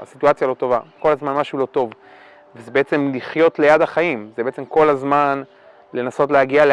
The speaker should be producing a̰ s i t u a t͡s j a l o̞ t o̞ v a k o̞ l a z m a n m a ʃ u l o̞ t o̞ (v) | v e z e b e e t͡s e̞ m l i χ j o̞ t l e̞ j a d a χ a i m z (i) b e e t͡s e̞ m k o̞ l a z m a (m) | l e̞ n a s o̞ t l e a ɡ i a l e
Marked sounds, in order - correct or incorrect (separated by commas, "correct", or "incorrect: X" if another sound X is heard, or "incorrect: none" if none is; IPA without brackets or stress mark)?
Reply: correct, incorrect: e, incorrect: n